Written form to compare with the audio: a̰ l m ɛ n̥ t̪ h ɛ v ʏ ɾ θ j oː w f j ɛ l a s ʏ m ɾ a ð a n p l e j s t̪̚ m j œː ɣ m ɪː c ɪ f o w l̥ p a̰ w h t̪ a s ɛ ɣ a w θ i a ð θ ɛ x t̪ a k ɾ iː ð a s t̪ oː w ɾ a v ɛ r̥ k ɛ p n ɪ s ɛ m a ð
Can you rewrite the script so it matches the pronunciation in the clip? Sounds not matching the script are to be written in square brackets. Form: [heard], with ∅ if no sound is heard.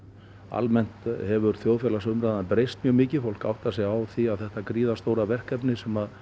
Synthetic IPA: a̰ l m ɛ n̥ t̪ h ɛ v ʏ ɾ θ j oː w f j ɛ l a s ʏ m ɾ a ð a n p [ɾ] e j s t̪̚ m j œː ɣ m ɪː c ɪ f o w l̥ [k] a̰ w h t̪ a s ɛ ɣ a w θ i a ð θ ɛ [h] t̪ a k ɾ iː ð a s t̪ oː w ɾ a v ɛ r̥ k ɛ p n ɪ s ɛ m a ð